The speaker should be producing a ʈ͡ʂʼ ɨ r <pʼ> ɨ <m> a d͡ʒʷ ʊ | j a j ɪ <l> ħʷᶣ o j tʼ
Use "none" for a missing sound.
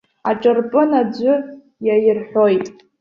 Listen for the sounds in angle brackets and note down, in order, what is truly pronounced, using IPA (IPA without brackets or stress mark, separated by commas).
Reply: pʼ, n, r